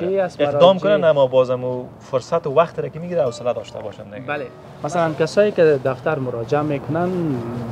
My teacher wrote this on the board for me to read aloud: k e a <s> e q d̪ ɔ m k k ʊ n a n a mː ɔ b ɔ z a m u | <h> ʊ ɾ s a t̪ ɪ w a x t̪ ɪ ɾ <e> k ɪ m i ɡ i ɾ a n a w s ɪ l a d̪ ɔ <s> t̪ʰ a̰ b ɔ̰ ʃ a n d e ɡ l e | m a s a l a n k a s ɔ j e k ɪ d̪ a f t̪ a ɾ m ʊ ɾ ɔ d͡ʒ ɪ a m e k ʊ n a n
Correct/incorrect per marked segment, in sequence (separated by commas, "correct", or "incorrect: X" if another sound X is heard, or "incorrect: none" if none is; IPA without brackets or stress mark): correct, incorrect: f, incorrect: a, incorrect: ʃ